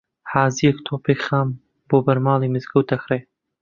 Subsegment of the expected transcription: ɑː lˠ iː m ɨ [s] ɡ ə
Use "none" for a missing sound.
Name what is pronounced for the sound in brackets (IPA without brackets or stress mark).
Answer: z